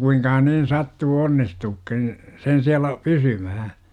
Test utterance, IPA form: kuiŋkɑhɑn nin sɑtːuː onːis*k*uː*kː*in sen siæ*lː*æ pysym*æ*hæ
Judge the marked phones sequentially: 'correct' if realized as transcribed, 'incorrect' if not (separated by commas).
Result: incorrect, correct, incorrect, correct